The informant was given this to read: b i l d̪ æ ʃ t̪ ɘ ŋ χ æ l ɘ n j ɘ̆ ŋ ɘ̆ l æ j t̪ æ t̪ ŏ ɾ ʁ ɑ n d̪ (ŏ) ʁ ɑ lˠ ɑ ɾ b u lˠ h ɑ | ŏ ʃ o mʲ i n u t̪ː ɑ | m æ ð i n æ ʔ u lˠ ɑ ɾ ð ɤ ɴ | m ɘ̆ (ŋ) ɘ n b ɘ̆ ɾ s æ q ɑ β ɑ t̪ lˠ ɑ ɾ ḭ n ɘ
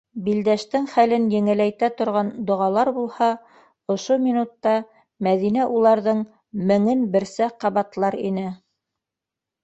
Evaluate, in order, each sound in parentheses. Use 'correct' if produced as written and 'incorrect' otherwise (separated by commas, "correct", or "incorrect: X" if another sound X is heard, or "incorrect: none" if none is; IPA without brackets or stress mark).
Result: correct, correct